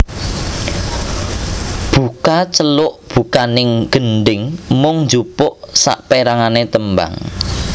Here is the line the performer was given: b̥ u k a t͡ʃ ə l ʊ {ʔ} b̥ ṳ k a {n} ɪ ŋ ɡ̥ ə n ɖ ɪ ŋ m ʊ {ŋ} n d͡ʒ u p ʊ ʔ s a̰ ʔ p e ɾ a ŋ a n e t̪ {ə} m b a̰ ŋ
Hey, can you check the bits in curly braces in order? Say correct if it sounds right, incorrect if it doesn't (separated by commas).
correct, correct, correct, correct